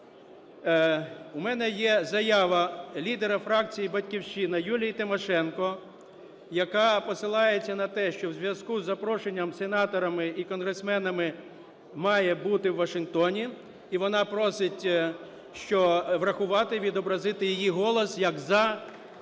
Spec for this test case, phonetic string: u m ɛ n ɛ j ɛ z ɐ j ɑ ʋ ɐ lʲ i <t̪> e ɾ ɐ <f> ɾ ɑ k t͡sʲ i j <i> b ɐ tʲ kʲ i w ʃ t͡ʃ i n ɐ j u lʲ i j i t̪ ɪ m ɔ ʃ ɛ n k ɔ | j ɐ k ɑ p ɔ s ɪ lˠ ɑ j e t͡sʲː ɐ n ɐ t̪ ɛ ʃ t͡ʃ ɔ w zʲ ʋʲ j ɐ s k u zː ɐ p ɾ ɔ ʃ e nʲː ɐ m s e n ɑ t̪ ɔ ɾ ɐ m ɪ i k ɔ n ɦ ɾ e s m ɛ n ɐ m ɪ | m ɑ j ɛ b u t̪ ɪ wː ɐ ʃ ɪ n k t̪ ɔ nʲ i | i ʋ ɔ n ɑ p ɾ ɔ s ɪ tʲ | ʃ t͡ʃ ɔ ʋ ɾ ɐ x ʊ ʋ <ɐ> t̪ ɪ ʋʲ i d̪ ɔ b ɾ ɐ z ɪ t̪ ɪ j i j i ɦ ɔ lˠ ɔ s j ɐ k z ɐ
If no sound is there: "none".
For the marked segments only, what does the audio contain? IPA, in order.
d̪, f, i, ɑ

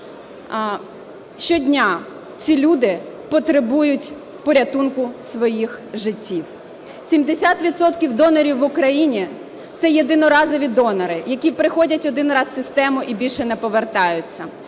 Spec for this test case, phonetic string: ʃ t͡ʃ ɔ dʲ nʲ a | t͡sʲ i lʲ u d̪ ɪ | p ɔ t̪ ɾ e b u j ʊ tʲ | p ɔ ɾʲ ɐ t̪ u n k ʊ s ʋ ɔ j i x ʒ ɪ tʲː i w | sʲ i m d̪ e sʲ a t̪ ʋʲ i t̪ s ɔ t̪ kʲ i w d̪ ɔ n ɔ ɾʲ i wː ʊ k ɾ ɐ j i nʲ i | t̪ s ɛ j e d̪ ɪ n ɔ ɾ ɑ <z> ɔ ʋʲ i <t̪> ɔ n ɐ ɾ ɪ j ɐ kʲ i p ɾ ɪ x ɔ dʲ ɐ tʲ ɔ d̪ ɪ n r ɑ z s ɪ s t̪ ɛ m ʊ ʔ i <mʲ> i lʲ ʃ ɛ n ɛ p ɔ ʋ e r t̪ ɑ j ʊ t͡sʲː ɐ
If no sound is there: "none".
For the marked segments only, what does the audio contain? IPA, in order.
z, d̪, bʲ

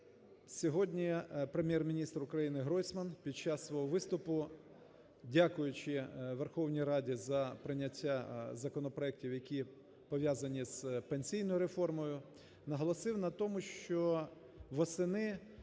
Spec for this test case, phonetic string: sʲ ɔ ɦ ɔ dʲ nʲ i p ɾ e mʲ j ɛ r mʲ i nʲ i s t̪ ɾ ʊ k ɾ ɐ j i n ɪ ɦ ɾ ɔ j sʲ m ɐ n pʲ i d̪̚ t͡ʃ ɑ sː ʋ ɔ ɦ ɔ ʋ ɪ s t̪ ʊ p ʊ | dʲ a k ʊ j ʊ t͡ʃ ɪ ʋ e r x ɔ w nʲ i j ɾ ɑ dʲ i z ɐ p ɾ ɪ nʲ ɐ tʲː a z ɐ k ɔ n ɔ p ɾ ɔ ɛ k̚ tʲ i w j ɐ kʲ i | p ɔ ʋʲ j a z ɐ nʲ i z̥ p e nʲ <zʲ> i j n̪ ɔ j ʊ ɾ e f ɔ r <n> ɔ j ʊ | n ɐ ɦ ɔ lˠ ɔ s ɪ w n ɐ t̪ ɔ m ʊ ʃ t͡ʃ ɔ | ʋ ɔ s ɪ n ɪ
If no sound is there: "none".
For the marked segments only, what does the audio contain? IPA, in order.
sʲ, m

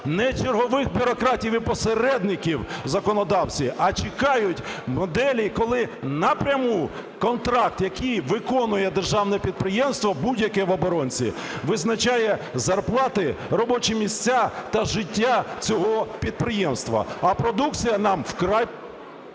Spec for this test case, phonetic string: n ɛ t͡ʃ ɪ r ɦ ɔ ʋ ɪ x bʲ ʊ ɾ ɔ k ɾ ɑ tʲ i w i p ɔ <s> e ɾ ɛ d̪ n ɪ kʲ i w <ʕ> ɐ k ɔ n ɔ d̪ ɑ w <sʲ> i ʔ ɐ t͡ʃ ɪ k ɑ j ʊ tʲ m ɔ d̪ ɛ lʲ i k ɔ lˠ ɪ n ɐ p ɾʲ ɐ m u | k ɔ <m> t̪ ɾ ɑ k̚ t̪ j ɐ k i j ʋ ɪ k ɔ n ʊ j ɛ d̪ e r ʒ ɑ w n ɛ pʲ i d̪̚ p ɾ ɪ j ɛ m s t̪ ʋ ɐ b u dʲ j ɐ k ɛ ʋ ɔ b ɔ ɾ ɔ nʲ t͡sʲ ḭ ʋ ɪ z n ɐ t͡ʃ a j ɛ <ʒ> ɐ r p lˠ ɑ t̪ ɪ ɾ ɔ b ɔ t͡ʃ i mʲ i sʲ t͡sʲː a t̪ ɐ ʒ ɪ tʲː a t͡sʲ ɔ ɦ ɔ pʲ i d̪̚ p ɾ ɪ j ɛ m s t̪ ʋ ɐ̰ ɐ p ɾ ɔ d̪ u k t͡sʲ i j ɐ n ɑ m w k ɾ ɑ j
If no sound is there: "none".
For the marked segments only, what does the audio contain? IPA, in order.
s, z, t͡sʲ, n, z

